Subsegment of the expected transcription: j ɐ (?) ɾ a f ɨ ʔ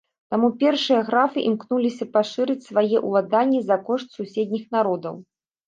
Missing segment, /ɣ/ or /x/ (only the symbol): ɣ